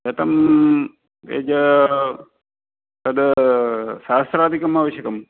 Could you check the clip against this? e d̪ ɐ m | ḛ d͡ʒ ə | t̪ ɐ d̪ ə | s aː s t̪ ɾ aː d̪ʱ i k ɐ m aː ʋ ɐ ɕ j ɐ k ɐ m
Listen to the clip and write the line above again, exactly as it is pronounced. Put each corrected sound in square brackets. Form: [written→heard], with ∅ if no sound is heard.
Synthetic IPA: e [d̪→t̪] ɐ m | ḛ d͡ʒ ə | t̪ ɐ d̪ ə | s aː s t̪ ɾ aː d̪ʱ i k ɐ m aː ʋ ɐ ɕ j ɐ k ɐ m